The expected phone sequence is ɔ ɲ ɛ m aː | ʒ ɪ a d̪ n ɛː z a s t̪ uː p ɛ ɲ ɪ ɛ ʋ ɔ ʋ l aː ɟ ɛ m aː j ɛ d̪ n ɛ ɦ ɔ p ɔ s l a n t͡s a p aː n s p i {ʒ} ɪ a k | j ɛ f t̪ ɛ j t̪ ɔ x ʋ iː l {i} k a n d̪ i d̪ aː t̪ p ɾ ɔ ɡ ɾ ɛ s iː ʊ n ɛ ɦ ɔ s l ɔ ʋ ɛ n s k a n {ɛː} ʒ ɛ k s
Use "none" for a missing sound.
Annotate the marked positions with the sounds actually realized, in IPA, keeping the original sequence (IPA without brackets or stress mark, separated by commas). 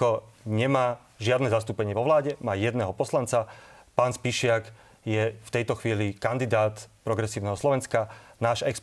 ʃ, i, aː